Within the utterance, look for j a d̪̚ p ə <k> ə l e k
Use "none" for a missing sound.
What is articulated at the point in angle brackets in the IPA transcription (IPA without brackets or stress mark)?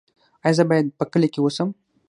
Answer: k